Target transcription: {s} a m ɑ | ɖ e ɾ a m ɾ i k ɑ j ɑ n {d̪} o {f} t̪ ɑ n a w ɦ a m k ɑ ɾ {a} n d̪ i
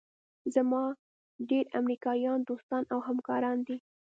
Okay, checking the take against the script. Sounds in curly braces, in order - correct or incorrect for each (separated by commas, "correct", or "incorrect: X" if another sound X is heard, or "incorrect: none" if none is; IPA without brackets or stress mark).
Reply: incorrect: z, correct, incorrect: s, incorrect: ɑ